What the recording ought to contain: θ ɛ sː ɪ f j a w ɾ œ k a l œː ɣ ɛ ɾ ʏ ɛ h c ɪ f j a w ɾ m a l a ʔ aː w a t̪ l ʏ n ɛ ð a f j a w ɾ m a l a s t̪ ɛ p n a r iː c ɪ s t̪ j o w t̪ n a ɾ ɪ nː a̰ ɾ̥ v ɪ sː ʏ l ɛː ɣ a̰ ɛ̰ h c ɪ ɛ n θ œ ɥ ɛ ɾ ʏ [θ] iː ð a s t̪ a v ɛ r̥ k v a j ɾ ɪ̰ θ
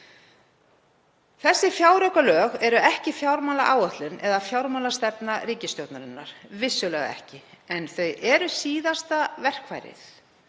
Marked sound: incorrect: s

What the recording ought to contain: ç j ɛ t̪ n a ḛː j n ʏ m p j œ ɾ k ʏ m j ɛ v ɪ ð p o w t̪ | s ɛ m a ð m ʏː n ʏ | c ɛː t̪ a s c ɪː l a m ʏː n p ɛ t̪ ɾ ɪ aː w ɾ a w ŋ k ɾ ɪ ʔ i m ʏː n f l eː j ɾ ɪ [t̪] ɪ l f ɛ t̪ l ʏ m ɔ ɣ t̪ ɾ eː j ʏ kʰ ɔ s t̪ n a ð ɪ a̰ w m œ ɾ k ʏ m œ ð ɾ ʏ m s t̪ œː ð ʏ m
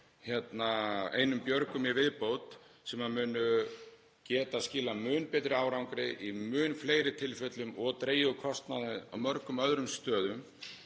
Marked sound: incorrect: t̪ʰ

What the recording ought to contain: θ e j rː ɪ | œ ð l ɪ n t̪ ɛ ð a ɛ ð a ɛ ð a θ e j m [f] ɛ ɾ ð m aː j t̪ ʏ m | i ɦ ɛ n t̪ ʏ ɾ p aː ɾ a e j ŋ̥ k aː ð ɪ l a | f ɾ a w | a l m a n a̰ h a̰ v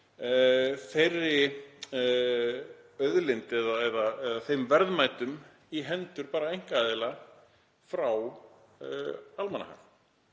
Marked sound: incorrect: v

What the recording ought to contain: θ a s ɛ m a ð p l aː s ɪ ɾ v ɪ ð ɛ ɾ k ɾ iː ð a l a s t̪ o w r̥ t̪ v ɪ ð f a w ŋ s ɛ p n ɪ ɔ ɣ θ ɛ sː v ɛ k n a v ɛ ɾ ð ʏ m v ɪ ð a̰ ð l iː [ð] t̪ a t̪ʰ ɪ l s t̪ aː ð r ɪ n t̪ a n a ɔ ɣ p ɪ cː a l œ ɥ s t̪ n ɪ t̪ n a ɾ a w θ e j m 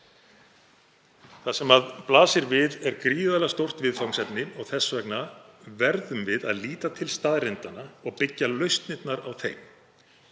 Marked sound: incorrect: none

